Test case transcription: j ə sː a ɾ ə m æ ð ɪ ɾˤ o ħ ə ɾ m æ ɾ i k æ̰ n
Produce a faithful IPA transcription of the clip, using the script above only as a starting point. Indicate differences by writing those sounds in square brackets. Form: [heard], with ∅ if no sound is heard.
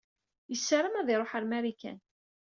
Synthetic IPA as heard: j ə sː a ɾ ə m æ ð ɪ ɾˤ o ħ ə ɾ m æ ɾ i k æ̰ n